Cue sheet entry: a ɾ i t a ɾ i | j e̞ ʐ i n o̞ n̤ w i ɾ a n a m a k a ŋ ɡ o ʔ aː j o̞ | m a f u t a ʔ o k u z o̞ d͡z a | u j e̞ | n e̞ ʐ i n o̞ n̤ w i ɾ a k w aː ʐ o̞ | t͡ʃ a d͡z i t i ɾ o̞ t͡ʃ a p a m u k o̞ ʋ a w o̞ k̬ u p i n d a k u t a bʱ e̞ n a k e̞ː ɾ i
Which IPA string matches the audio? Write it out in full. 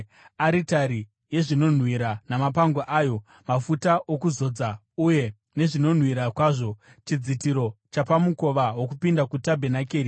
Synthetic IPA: a ɾ i t a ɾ i | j e̞ ʐ i n o̞ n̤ w i ɾ a n a m a p a ŋ ɡ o ʔ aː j o̞ | m a f u t a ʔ o k u z o̞ d͡z a | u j e̞ | n e̞ ʐ i n o̞ n̤ w i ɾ a k w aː ʐ o̞ | t͡ʃ i d͡z i t i ɾ o̞ t͡ʃ a p a m u k o̞ ʋ a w o̞ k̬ u p i n d a k u t a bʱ e̞ n a k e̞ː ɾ i